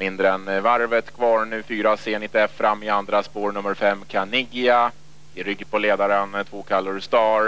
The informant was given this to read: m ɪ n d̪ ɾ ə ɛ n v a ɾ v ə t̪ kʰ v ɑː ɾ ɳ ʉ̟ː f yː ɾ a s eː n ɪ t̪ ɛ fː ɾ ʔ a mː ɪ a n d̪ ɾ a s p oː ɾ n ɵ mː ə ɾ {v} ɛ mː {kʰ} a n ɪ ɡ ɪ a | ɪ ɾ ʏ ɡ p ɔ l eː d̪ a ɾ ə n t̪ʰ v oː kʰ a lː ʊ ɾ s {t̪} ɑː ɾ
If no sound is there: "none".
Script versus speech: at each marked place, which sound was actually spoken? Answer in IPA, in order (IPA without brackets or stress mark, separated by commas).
f, kʰ, t̪